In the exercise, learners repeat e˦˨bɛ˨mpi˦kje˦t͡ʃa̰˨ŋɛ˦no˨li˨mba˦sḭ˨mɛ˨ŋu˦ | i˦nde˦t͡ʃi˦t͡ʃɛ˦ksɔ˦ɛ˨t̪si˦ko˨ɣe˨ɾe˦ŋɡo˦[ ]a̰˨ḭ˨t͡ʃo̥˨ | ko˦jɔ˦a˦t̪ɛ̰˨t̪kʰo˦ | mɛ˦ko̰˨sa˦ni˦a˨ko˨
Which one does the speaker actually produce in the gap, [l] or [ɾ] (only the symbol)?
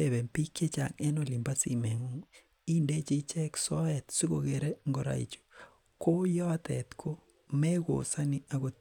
ɾ